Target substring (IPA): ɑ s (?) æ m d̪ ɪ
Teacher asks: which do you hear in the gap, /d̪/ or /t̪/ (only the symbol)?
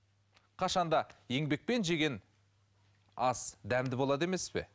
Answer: d̪